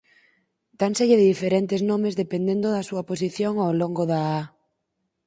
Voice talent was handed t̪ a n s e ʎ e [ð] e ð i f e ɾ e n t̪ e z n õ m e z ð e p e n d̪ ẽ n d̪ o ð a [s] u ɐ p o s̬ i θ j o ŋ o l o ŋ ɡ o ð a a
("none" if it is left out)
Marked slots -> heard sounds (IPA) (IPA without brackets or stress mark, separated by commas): ð, s